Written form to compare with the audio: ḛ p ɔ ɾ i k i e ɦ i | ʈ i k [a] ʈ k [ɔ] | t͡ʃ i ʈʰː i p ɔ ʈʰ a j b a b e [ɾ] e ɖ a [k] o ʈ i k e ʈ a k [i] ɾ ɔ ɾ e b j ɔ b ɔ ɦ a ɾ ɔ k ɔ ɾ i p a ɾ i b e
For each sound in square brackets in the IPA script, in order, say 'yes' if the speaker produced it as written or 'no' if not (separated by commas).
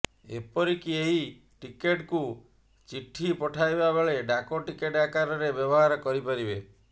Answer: no, no, no, yes, no